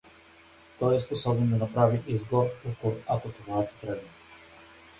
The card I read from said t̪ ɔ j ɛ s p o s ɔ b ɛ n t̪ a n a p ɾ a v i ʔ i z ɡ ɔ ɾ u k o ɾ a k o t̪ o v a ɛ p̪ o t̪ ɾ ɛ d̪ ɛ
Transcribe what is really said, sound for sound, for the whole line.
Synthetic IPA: t̪ ɔ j ɛ s p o s ɔ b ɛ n d̪ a n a p ɾ a v i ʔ i z ɡ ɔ ɾ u k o ɾ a k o t̪ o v a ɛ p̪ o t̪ ɾ ɛ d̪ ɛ